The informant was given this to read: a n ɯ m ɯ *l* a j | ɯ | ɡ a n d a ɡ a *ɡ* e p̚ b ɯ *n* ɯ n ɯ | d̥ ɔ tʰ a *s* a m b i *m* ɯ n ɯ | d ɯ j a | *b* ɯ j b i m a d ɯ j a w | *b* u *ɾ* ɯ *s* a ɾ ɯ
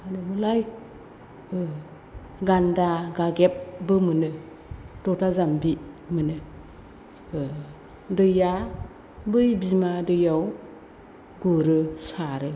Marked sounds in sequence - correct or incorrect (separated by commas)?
correct, correct, incorrect, incorrect, correct, correct, incorrect, correct, correct